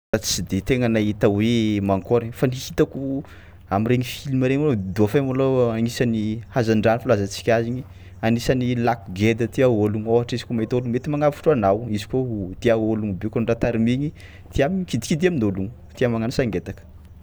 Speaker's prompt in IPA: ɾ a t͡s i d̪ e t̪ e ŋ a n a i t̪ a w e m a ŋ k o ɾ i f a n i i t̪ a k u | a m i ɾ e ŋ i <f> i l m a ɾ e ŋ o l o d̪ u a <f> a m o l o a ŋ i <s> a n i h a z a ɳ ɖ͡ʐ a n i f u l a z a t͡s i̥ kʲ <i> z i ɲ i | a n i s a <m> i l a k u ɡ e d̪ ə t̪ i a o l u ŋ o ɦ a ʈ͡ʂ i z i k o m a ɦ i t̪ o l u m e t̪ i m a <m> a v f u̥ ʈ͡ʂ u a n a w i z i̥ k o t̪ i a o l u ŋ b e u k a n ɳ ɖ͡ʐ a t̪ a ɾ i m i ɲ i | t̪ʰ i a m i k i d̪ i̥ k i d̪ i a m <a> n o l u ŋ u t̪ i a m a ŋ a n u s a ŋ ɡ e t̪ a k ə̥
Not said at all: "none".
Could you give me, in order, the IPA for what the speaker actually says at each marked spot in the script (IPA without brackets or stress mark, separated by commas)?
f, f, s, a, n, ŋ, i